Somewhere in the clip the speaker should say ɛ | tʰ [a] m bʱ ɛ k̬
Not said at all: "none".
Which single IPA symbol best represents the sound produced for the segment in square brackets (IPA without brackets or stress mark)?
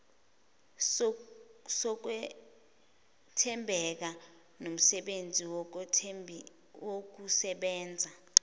ɛ